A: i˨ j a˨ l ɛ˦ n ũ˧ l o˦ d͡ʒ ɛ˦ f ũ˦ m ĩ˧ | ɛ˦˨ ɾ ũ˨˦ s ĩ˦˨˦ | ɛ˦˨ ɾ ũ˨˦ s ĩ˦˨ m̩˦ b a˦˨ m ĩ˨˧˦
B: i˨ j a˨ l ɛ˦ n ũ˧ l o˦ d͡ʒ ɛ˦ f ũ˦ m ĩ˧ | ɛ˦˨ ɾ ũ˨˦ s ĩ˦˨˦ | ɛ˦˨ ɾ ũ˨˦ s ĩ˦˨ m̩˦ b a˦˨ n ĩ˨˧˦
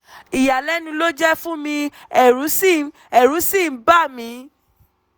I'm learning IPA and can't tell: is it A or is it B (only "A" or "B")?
A